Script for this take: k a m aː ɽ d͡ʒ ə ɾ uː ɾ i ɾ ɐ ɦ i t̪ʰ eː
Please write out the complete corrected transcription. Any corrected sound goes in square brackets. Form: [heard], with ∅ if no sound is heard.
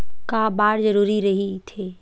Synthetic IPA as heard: k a [b] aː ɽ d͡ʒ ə ɾ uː ɾ i ɾ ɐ ɦ i t̪ʰ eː